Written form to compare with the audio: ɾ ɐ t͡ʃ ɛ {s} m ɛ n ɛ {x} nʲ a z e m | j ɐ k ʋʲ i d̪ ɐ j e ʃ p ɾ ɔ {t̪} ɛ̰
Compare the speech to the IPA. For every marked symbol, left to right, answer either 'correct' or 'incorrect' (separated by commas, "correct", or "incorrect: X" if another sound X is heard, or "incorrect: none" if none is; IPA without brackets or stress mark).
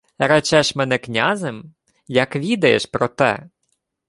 incorrect: ʃ, incorrect: k, correct